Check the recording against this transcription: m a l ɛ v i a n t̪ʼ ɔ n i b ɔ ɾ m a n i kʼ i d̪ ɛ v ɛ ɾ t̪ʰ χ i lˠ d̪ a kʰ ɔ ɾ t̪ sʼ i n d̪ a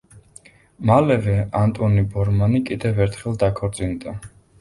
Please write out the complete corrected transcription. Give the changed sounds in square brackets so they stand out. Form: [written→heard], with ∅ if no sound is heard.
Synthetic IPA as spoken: m a l ɛ v [i→ɛ] a n t̪ʼ ɔ n i b ɔ ɾ m a n i kʼ i d̪ ɛ v ɛ ɾ t̪ʰ χ [i→ɛ] lˠ d̪ a kʰ ɔ ɾ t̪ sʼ i n d̪ a